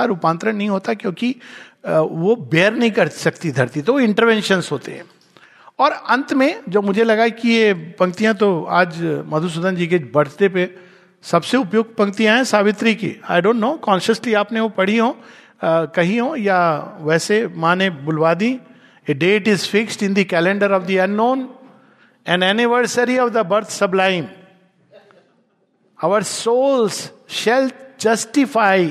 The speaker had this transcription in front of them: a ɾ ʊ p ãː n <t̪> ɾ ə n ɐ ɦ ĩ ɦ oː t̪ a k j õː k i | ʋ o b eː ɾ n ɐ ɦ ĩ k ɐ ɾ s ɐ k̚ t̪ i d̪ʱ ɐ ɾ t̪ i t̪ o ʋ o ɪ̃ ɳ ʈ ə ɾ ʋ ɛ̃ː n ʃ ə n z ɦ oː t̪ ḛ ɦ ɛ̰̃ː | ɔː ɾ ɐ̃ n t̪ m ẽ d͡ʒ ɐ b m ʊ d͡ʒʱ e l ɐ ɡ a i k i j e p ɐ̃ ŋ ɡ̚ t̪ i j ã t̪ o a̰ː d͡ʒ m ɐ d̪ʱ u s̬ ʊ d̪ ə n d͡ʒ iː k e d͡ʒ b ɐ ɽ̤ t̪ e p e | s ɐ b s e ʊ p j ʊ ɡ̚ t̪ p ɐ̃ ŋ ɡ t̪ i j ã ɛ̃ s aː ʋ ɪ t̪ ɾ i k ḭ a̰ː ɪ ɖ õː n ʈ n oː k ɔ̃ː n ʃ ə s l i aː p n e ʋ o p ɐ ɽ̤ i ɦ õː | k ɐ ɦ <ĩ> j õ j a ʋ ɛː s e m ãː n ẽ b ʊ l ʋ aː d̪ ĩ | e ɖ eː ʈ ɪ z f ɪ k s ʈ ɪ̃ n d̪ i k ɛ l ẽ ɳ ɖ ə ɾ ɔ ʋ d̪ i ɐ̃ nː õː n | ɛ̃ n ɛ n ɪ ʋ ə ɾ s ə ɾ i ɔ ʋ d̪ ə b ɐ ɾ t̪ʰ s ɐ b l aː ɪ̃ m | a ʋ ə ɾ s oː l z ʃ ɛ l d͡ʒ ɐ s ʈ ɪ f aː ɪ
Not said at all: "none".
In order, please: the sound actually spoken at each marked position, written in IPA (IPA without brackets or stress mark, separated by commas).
t̪, i